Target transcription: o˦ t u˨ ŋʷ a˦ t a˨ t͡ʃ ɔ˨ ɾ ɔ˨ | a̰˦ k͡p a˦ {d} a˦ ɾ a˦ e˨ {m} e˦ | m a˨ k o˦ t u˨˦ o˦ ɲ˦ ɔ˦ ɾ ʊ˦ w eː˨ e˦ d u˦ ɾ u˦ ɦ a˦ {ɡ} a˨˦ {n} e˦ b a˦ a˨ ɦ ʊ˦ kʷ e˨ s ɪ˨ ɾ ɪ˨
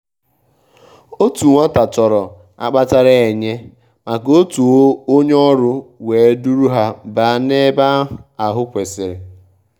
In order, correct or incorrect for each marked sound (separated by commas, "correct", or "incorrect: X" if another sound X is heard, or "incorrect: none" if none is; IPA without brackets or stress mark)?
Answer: incorrect: t, incorrect: ɲ, incorrect: b, correct